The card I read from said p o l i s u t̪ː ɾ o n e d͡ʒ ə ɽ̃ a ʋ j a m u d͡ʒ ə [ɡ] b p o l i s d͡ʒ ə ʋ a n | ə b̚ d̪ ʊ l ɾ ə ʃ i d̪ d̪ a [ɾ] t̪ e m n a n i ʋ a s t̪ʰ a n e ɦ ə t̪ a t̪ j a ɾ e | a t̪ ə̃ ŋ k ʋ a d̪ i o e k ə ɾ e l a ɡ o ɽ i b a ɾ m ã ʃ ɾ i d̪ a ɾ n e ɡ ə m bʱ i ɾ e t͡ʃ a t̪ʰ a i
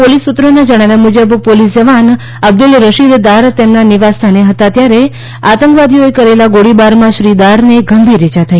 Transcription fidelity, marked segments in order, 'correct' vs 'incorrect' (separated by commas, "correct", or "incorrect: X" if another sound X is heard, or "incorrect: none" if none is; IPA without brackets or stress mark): incorrect: none, correct